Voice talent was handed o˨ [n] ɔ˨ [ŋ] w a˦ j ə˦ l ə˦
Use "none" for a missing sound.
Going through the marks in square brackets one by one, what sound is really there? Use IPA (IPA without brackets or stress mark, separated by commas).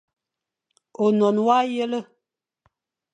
n, n